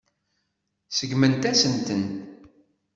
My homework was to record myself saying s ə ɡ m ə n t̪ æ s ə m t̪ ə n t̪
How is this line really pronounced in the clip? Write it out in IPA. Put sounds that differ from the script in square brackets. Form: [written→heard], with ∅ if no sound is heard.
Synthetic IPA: s ə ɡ m ə n t̪ æ s ə [m→n] t̪ ə n t̪